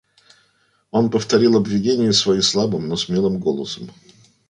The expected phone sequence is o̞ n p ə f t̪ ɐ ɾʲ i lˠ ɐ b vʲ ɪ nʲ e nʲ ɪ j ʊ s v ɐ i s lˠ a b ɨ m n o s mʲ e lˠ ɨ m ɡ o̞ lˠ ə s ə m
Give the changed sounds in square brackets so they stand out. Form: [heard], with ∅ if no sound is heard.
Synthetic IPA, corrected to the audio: o̞ n p ə f t̪ ɐ ɾʲ i lˠ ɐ b vʲ ɪ [dʲ] e nʲ ɪ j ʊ s v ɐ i s lˠ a b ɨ m n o s mʲ e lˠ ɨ m ɡ o̞ lˠ ə s ə m